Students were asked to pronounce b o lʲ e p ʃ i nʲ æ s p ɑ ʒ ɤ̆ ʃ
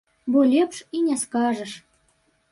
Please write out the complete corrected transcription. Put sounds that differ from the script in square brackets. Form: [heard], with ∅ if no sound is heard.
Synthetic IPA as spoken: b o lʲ e p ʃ i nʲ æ s [k] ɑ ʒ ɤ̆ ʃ